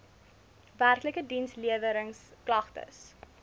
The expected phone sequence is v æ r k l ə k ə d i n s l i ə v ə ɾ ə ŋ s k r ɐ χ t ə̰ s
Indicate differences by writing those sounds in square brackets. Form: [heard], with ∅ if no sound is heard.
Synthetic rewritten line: v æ r k l ə k ə d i n s l i ə v ə ɾ ə ŋ s k [l] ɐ χ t ə̰ s